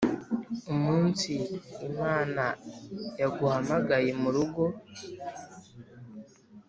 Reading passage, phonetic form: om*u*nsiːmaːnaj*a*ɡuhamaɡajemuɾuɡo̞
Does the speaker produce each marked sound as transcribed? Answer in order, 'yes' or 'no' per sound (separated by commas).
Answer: no, yes